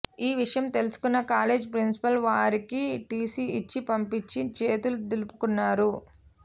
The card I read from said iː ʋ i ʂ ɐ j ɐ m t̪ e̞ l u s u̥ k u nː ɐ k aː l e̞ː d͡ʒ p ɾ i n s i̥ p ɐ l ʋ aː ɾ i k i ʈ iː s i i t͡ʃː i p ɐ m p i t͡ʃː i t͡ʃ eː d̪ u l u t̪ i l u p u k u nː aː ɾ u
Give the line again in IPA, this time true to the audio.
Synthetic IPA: iː ʋ i ʂ ɐ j ɐ m t̪ e̞ l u s u̥ k u nː ɐ k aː l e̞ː d͡ʒ p ɾ i n s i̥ p ɐ l ʋ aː ɾ i k i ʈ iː s i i t͡ʃː i p ɐ m p i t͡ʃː i t͡ʃ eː t̪ u l u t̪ i l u p u k u nː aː ɾ u